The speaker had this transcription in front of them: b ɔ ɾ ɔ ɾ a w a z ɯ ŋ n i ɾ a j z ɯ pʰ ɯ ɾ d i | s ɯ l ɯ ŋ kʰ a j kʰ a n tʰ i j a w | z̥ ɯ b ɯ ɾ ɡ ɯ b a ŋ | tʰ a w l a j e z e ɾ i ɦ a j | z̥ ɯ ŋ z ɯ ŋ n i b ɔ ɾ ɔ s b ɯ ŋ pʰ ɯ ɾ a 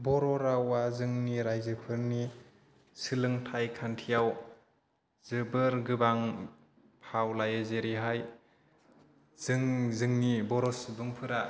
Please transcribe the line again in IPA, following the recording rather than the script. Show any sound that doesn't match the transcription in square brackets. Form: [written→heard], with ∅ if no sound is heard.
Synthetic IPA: b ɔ ɾ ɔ ɾ a w a z ɯ ŋ n i ɾ a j z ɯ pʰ ɯ ɾ [d→n] i | s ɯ l ɯ ŋ [kʰ→tʰ] a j kʰ a n tʰ i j a w | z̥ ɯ b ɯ ɾ ɡ ɯ b a ŋ | [tʰ→pʰ] a w l a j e z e ɾ i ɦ a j | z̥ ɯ ŋ z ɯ ŋ n i b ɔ ɾ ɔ s b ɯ ŋ pʰ ɯ ɾ a